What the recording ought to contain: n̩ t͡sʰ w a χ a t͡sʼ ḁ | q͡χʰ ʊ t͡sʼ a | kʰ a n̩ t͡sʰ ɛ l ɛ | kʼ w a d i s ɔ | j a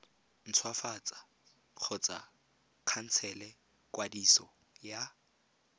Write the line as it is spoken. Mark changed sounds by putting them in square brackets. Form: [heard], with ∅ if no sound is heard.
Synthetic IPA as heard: n̩ t͡sʰ w a [f] a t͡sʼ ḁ | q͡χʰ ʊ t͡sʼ a | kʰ a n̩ t͡sʰ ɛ l ɛ | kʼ w a d i s ɔ | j a